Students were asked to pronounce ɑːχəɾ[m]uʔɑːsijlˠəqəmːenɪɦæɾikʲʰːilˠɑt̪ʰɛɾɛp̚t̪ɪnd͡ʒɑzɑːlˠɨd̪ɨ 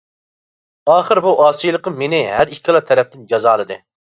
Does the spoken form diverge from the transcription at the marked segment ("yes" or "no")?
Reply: yes